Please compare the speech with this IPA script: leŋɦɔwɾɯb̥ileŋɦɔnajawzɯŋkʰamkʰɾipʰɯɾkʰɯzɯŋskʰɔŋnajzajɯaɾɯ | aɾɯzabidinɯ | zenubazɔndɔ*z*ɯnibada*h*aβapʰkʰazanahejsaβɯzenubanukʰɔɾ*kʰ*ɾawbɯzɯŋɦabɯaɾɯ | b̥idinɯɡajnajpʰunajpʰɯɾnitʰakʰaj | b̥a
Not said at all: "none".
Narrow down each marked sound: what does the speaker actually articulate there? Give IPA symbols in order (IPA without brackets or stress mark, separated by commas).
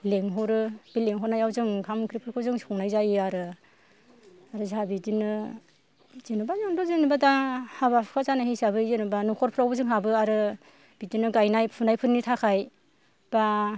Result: z, h, pʰ